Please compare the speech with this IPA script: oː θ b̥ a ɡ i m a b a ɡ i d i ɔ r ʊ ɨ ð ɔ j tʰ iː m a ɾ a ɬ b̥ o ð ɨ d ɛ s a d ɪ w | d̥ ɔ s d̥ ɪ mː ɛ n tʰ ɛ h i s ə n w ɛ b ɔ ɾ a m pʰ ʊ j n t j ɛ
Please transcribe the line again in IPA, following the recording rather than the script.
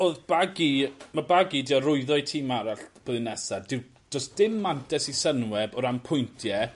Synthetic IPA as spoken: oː ð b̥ a ɡ i m a b a ɡ i d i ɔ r ʊ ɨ ð ɔ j tʰ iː m a ɾ a ɬ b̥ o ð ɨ n ɛ s a d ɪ w | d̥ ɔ s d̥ ɪ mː a n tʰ ɛ s i s ə n w ɛ b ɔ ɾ a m pʰ ʊ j n tʰ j ɛ

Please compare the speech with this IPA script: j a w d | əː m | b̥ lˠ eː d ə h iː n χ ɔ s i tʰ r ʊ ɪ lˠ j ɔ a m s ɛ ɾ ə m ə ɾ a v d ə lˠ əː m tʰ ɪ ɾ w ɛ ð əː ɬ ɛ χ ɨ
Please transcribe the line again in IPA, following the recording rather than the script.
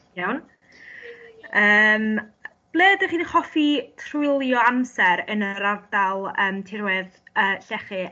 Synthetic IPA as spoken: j a w n | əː m | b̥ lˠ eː d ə χ iː n χ ɔ f i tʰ r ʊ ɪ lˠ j ɔ a m s ɛ ɾ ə n ə ɾ a v d a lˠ əː m tʰ ɪ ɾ w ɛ ð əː ɬ ɛ χ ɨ

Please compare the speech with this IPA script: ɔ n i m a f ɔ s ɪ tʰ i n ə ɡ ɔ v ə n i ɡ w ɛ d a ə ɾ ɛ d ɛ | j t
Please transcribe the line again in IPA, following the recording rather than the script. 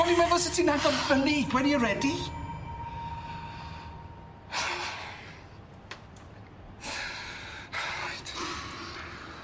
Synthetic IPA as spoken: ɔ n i m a v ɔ s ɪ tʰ i n a ɡ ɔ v ə n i ɡ w ɛ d i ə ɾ ɛ d i | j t

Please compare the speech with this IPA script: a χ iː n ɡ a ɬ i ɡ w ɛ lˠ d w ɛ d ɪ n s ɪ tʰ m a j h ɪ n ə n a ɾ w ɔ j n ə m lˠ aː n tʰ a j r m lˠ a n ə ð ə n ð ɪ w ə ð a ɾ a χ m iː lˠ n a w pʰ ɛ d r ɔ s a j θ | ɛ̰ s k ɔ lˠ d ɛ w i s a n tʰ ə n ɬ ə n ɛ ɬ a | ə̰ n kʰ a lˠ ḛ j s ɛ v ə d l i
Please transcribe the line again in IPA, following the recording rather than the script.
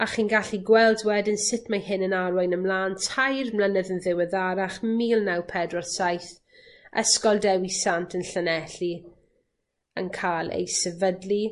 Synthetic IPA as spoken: a χ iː n ɡ a ɬ i ɡ w ɛ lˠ d w ɛ d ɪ n s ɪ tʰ m a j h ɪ n ə n a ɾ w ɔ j n ə m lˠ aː n tʰ a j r m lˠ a n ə ð ə n ð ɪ w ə ð a ɾ a χ m iː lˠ n a w pʰ ɛ d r ɔ s a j θ | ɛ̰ s k ɔ lˠ d ɛ w i s a n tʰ ə n ɬ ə n ɛ ɬ i | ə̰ n kʰ a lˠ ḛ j s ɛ v ə d l i

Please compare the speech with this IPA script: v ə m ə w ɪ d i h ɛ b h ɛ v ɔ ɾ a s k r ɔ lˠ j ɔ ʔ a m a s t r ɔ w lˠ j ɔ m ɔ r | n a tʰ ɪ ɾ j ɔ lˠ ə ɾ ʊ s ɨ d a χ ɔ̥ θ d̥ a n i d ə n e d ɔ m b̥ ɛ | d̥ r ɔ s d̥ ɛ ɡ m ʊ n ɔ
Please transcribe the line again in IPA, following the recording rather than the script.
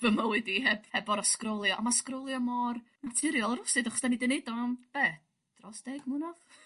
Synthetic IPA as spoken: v ə m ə w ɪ d i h ɛ b h ɛ b ɔ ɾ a s k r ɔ lˠ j ɔ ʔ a m a s k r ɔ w lˠ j ɔ m ɔ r | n a tʰ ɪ ɾ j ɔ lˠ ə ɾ ʊ s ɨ d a χ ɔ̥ s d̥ a n i d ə n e d ɔ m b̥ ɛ | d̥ r ɔ s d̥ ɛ ɡ m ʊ n ɔ

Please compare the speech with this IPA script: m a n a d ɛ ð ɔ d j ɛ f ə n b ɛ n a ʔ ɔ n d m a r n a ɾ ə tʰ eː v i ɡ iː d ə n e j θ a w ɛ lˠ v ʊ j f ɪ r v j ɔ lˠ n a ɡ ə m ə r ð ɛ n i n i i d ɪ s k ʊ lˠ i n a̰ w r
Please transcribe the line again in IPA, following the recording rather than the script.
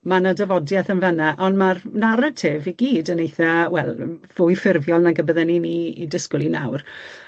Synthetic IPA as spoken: m a n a d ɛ v ɔ d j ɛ θ ə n v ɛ n a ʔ ɔ n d m a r n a ɾ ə tʰ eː v i ɡ iː d ə n e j θ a w ɛ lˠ v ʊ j f ɪ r v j ɔ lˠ n a ɡ ə b ə ð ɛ n i n i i d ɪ s k ʊ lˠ i n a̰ w r

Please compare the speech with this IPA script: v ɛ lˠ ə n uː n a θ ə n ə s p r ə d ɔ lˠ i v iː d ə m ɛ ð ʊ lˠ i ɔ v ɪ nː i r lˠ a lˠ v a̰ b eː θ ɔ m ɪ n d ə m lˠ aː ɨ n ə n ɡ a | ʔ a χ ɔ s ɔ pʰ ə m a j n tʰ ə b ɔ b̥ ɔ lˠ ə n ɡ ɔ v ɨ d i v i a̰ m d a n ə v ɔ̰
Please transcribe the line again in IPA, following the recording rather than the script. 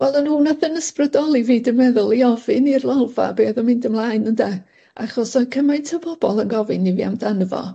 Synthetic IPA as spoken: v ɛ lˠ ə n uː n a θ ə n ə s p r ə d ɔ lˠ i v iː d ə m ɛ ð ʊ lˠ i ɔ v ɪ n i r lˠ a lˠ v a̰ b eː ð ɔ m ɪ n d ə m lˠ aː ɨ n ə n d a | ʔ a χ ɔ s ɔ kʰ ə m a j n tʰ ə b ɔ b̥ ɔ lˠ ə n ɡ ɔ v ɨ n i v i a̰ m d a n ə v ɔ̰

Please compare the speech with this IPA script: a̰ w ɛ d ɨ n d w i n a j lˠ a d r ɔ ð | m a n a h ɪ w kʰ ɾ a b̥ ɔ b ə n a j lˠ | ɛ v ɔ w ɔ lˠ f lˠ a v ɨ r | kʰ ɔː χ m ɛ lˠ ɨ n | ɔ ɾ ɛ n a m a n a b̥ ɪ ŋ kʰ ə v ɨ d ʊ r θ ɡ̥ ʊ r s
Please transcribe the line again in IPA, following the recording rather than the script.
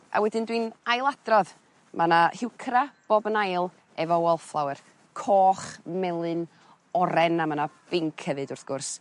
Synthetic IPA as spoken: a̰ w ɛ d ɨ n d w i n a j lˠ a d r ɔ ð | m a n a h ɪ w kʰ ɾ a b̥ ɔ b ə n a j lˠ | ɛ v ɔ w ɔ lˠ f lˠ a w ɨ r | kʰ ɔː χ m ɛ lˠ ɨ n | ɔ ɾ ɛ n a m a n a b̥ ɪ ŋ kʰ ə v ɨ d ʊ r θ ɡ̥ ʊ r s

